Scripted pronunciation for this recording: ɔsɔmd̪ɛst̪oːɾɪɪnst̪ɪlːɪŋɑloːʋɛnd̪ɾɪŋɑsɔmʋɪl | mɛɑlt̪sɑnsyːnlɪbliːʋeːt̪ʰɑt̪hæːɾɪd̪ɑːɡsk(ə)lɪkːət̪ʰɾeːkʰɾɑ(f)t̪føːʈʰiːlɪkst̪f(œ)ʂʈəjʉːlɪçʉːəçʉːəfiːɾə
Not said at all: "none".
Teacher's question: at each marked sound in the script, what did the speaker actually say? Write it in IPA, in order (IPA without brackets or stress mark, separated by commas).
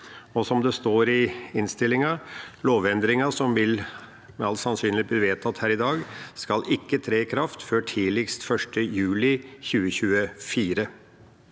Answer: ɑ, f, œ